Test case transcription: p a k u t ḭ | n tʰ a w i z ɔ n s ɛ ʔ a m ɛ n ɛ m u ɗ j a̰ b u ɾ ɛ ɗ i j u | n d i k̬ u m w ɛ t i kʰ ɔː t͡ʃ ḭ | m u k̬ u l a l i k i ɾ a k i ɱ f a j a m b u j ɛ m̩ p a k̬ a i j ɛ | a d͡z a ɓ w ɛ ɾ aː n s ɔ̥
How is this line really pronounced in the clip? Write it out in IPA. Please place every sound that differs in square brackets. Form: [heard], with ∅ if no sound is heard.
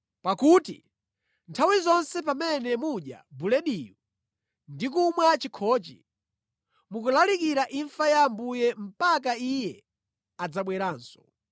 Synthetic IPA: p a k u t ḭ | n tʰ a w i z ɔ n s ɛ [p] a m ɛ n ɛ m u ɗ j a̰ b u [l] ɛ ɗ i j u | n d i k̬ u m w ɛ [t͡ʃ] i kʰ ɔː t͡ʃ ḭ | m u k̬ u l a l i k i ɾ a [ʔ] i ɱ f a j a m b u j ɛ m̩ p a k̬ a i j ɛ | a d͡z a ɓ w ɛ ɾ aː n s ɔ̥

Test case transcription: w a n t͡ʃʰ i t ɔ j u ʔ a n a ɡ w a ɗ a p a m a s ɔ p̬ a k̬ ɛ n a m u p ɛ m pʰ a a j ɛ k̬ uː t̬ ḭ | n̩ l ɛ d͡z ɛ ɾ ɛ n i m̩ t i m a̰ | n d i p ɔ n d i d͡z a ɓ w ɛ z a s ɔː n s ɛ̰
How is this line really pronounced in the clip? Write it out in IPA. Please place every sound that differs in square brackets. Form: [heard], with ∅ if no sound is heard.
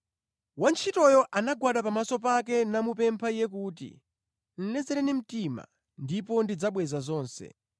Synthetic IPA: w a n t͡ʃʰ i t ɔ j [ɔ] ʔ a n a ɡ w a ɗ a p a m a s ɔ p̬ a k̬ ɛ n a m u p ɛ m pʰ a [i] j ɛ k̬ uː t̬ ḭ | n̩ l ɛ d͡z ɛ ɾ ɛ n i m̩ t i m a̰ | n d i p ɔ n d i d͡z a ɓ w ɛ z a [z] ɔː n s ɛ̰

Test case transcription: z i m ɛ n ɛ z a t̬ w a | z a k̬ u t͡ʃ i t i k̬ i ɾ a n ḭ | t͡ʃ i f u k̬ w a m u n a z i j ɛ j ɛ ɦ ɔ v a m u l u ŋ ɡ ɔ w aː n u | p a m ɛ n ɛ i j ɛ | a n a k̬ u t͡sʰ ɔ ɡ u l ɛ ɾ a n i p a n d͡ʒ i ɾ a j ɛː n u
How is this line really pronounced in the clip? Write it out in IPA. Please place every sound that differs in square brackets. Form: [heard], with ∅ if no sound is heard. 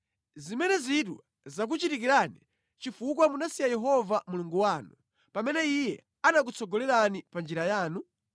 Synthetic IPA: z i m ɛ n ɛ z [i] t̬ w a | z a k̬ u t͡ʃ i t i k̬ i ɾ a n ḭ | t͡ʃ i f u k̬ w a m u n a [s] i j [a] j ɛ ɦ ɔ v a m u l u ŋ ɡ [u] w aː n u | p a m ɛ n ɛ i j ɛ | a n a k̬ u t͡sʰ ɔ ɡ [ɔ] l ɛ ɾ a n i p a n d͡ʒ i ɾ a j [aː] n u

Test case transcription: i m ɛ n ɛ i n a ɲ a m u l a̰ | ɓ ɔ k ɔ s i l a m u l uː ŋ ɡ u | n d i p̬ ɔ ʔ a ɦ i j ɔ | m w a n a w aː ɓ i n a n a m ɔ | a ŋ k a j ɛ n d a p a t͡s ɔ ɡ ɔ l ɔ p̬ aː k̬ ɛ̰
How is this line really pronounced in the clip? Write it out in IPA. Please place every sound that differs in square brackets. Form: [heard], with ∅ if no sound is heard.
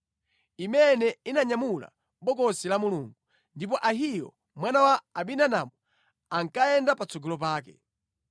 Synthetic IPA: i m ɛ n ɛ i n a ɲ a m u l a̰ | ɓ ɔ k ɔ s i l a m u l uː ŋ ɡ u | n d i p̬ ɔ ʔ a ɦ i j ɔ | m w a n a w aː ɓ i n a n a m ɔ | a ŋ k a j ɛ n d a p a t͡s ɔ ɡ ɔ l ɔ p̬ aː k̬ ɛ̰

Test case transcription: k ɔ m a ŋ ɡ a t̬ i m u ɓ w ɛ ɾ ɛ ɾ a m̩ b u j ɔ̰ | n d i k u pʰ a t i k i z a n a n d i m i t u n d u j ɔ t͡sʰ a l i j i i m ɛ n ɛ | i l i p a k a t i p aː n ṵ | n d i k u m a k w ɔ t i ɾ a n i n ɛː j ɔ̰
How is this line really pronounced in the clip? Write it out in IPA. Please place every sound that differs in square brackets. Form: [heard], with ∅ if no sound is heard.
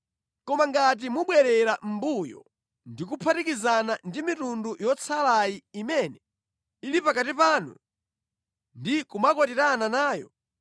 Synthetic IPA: k ɔ m a ŋ ɡ a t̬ i m u ɓ w ɛ ɾ ɛ ɾ a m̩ b u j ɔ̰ | n d i k u pʰ a t i k i z a n a n d i m i t u n d u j ɔ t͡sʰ a l [a] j i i m ɛ n ɛ | i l i p a k a t i p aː n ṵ | n d i k u m a k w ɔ t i ɾ a n [a] n [aː] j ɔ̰

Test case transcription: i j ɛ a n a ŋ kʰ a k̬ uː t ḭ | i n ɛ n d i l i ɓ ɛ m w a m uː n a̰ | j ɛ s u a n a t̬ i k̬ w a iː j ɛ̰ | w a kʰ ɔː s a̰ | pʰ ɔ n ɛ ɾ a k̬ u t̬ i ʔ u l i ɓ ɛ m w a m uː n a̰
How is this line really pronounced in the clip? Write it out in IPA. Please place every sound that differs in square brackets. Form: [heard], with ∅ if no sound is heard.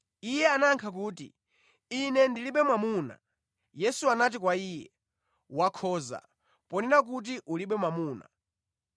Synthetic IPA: i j ɛ a n a ŋ kʰ a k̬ uː t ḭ | i n ɛ n d i l i ɓ ɛ m w a m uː n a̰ | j ɛ s u a n a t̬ i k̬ w a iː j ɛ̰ | w a kʰ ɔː [z] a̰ | [p] ɔ n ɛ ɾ a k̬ u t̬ i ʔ u l i ɓ ɛ m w a m uː n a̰

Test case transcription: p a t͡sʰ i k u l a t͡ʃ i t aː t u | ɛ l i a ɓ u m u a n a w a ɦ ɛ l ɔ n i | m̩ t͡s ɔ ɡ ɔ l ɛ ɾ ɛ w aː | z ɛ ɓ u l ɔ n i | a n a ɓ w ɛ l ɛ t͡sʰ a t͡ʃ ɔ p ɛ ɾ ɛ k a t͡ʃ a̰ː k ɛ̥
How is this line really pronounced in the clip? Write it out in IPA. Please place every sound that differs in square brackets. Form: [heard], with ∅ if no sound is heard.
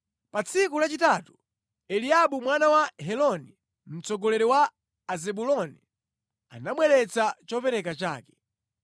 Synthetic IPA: p a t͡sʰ i k u l a t͡ʃ i t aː t u | ɛ l i a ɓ u m [w] a n a w a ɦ ɛ l ɔ n i | m̩ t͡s ɔ ɡ ɔ l ɛ ɾ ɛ w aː | z ɛ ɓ u l ɔ n i | a n a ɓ w ɛ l ɛ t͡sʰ a t͡ʃ ɔ p ɛ ɾ ɛ k a t͡ʃ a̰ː k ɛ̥

